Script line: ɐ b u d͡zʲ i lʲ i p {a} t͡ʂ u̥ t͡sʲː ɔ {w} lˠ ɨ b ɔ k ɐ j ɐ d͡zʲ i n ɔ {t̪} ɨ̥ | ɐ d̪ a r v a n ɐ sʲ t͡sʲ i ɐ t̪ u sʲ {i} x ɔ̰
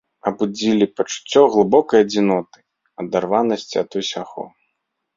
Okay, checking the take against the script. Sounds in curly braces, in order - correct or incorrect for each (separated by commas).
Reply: incorrect, incorrect, correct, incorrect